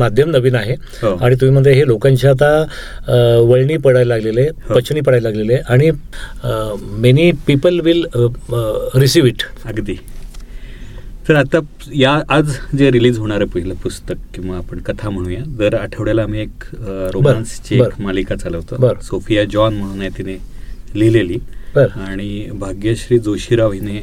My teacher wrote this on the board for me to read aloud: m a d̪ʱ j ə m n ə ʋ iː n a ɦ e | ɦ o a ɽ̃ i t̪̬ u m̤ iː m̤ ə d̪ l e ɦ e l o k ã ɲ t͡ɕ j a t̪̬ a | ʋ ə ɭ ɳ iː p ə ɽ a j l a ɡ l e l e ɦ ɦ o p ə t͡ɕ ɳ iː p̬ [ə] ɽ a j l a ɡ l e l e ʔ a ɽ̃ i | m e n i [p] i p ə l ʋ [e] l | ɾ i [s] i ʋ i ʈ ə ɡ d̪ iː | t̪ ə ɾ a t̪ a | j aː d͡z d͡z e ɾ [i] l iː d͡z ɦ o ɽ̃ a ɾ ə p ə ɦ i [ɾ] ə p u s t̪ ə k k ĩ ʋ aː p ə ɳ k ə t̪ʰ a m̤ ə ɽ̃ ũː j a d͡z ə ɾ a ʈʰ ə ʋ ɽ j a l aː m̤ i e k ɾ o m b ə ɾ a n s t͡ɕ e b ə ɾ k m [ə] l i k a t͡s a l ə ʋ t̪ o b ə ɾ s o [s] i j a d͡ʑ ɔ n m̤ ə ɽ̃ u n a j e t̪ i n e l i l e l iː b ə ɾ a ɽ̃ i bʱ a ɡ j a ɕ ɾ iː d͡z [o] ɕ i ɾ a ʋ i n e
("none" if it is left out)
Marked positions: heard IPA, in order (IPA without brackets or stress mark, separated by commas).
ə, p, i, s, i, l, a, f, o